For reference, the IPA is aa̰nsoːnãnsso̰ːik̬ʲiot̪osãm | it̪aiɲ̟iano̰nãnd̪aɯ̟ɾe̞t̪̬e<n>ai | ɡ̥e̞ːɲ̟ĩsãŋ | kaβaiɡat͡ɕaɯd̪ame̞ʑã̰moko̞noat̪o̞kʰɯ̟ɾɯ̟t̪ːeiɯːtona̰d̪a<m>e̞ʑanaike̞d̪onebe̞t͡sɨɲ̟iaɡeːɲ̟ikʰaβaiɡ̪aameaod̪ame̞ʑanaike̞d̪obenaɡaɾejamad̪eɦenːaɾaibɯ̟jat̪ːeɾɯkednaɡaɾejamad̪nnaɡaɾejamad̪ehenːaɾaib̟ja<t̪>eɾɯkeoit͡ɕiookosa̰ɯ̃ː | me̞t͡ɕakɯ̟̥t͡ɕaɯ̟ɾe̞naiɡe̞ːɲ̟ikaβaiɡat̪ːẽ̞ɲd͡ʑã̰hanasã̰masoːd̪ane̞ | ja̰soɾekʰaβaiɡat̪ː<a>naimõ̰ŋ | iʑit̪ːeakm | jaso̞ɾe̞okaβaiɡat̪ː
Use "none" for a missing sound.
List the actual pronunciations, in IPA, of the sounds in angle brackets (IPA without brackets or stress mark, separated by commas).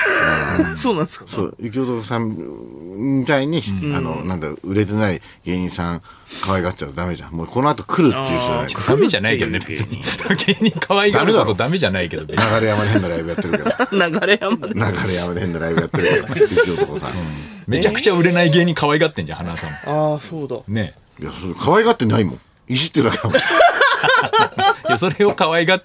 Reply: n, m, t̪, e